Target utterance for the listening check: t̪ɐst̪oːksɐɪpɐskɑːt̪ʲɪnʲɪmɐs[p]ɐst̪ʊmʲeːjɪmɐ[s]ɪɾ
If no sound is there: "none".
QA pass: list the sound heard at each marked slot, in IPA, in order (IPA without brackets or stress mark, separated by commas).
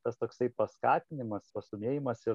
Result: p, s